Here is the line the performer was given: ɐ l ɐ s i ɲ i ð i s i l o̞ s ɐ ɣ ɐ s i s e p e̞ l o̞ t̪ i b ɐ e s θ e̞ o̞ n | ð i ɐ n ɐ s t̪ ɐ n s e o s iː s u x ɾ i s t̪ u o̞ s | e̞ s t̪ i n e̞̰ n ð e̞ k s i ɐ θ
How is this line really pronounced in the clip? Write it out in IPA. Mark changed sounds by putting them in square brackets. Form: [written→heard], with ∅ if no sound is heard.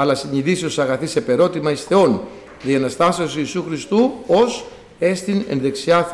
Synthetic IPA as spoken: ɐ l ɐ s i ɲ i ð i s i [l→∅] o̞ s ɐ ɣ ɐ [s→θ] i s e p e̞ [l→ɾ] o̞ t̪ i [b→m] ɐ [e→i] s θ e̞ o̞ n | ð i ɐ n ɐ s t̪ ɐ [n→∅] s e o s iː s u x ɾ i s t̪ u o̞ s | e̞ s t̪ i n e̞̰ n ð e̞ k s i ɐ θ